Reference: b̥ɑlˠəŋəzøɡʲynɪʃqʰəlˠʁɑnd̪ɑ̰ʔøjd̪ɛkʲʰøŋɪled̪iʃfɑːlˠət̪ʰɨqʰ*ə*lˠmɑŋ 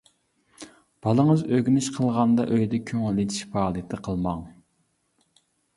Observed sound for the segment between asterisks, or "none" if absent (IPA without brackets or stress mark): ə